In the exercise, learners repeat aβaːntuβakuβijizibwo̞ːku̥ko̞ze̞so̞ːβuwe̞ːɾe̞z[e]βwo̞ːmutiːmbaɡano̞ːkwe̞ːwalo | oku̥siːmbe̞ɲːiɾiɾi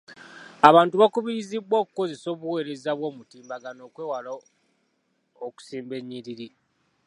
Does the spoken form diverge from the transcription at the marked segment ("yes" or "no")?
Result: yes